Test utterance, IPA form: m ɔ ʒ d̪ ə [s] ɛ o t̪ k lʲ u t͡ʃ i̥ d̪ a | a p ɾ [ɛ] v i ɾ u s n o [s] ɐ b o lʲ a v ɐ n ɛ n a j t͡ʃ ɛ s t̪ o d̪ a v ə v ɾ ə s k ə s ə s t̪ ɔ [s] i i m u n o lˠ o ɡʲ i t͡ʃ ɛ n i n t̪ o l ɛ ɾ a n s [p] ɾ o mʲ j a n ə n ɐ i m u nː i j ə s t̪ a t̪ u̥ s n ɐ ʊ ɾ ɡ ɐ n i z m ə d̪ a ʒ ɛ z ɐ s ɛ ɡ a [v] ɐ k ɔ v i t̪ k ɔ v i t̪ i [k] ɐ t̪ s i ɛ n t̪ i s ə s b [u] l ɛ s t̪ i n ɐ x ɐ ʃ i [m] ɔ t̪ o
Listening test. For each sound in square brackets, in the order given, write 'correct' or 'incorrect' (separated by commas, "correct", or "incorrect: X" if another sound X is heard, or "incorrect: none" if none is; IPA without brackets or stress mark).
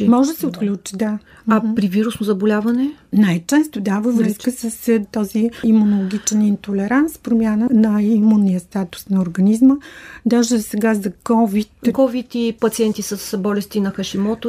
correct, incorrect: i, incorrect: z, incorrect: z, correct, incorrect: z, incorrect: p, incorrect: ɔ, correct